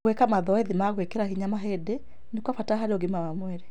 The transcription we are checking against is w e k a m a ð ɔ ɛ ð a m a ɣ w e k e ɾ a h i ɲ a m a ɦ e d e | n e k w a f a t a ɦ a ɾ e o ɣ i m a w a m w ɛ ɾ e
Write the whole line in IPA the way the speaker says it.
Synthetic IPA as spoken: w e k a m a ð ɔ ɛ ð i m a ɣ w e k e ɾ a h i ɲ a m a ɦ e d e | n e k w a f a t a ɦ a ɾ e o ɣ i m a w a m w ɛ ɾ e